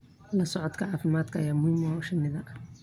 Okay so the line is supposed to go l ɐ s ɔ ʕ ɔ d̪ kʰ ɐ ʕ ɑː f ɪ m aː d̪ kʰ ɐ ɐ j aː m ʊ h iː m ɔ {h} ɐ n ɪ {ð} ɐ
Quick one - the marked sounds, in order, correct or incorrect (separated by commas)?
incorrect, correct